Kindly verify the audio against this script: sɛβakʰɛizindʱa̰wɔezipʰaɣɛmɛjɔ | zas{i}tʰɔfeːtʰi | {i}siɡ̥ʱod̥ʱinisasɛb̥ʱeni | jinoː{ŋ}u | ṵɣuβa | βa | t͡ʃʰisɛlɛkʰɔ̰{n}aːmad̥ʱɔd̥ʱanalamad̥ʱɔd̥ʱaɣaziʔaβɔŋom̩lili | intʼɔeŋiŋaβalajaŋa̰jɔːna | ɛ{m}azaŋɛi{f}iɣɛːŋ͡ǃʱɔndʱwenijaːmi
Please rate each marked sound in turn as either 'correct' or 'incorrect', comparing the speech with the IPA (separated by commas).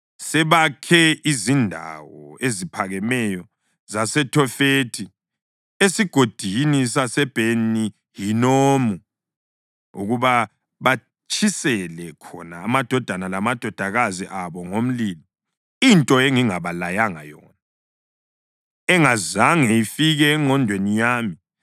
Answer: incorrect, incorrect, incorrect, correct, incorrect, correct